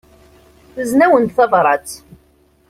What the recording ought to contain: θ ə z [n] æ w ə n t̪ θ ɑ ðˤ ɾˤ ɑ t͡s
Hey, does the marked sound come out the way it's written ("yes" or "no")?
yes